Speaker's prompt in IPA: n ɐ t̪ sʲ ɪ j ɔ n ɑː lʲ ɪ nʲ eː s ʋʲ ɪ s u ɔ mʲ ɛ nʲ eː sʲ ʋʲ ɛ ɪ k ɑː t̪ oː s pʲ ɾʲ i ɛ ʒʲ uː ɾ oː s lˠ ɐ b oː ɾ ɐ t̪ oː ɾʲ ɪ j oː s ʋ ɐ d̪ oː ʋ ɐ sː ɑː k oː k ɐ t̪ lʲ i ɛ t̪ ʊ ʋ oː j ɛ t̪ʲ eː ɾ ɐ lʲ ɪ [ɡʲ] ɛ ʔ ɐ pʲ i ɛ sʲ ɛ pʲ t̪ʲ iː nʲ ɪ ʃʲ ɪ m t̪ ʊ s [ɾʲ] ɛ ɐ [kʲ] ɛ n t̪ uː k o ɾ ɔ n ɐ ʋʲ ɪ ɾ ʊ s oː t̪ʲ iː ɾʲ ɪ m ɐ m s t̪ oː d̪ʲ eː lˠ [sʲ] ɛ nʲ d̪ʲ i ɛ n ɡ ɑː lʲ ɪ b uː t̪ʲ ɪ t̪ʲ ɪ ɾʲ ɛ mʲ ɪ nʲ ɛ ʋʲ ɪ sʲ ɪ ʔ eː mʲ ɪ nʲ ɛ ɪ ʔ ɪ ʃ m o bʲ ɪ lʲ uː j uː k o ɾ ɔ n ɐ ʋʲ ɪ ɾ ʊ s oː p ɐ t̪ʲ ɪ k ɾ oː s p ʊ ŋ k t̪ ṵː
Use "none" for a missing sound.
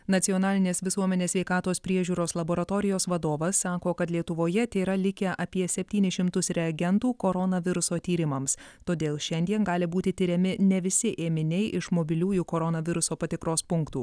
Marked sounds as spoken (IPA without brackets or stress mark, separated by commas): kʲ, ɾʲ, ɡʲ, ʃʲ